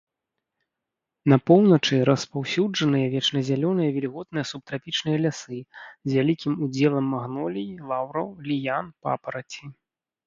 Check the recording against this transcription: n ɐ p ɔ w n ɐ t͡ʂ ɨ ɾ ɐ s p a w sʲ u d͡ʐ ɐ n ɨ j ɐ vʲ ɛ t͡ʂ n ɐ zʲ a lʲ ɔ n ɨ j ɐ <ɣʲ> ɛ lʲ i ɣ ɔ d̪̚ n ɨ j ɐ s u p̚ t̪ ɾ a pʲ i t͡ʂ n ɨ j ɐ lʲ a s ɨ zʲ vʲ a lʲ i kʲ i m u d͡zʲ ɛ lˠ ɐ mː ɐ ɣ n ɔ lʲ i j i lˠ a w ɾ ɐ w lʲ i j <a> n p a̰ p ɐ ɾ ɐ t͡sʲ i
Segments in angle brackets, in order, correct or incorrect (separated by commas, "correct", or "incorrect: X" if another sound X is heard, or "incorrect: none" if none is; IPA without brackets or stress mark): incorrect: vʲ, correct